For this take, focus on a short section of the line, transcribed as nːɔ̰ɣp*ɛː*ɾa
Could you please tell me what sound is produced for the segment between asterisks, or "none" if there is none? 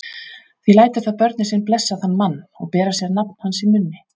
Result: ɛː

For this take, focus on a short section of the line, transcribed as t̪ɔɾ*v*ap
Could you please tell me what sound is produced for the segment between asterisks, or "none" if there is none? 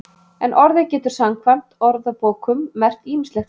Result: ð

